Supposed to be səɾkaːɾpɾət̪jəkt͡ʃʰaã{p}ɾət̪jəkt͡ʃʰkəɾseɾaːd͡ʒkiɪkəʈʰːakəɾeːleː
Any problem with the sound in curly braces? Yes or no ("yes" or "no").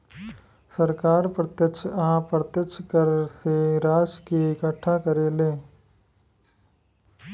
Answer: no